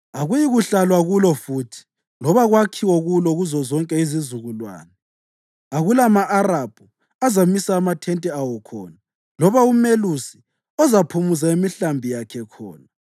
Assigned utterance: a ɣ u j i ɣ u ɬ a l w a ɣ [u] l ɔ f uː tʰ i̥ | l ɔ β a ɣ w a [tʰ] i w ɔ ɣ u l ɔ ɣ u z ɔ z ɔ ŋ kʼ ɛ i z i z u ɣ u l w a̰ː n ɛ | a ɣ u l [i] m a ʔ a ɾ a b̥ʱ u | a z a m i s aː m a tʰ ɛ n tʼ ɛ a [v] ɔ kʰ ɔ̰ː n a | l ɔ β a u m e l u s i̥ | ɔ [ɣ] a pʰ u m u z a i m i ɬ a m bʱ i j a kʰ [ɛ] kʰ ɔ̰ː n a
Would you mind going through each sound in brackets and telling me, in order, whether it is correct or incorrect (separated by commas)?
correct, incorrect, incorrect, incorrect, incorrect, correct